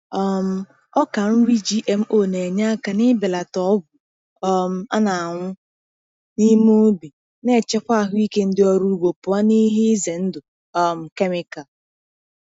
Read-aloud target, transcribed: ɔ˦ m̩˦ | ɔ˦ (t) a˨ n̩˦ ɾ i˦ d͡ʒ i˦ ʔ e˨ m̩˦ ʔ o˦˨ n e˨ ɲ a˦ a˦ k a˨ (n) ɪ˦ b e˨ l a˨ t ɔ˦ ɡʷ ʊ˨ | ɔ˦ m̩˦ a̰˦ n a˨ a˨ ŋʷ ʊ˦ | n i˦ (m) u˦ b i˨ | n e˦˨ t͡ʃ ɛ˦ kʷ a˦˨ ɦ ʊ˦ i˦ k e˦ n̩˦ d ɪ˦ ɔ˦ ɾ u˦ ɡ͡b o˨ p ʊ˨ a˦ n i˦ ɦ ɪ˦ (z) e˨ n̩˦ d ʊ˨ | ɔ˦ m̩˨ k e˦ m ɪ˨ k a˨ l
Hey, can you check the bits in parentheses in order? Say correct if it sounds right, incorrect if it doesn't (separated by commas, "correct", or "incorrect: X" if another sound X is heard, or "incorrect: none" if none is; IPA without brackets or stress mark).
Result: incorrect: k, correct, correct, correct